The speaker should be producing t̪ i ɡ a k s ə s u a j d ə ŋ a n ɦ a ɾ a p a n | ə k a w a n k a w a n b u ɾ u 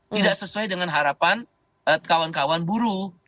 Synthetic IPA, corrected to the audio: t̪ i d a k s ə s u a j d ə ŋ a n ɦ a ɾ a p a n | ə k a w a n k a w a n b u ɾ u